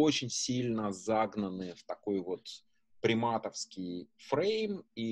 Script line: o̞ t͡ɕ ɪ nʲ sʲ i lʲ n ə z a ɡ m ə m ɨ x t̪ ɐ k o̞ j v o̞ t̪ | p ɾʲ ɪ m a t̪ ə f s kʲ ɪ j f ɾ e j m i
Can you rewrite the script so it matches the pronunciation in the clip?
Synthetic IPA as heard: o̞ t͡ɕ ɪ nʲ sʲ i lʲ n ə z a ɡ n ə n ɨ f t̪ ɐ k o̞ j v o̞ t̪ | p ɾʲ ɪ m a t̪ ə f s kʲ ɪ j f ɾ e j m i